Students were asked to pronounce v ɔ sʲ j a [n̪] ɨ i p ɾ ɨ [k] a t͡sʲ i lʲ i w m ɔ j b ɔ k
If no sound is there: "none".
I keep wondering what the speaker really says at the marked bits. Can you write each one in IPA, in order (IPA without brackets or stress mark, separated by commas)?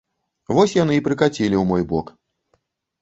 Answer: n̪, k